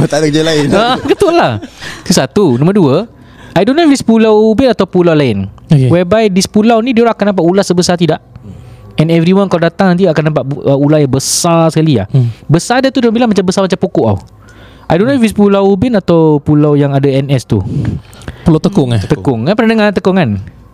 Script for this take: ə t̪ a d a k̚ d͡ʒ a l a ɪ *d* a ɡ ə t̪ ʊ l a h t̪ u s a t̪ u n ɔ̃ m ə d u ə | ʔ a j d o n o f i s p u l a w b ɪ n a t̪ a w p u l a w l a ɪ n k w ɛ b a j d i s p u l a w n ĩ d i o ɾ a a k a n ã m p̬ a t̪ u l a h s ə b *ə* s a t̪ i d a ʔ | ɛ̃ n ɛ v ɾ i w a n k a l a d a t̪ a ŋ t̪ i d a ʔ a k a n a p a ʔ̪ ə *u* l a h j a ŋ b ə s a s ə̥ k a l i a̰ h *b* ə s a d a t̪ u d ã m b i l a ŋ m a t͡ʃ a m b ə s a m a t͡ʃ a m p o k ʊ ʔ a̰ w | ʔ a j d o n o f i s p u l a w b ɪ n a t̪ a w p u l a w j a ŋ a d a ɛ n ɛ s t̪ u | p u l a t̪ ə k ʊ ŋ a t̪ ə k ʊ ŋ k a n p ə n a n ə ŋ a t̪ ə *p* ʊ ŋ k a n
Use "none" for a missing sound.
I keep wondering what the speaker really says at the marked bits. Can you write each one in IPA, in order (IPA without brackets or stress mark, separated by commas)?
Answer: n, ə, u, b, k